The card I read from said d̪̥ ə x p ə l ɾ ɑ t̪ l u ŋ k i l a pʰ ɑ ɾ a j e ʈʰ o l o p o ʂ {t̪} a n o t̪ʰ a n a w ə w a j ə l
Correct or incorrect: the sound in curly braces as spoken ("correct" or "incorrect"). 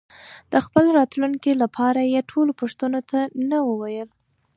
correct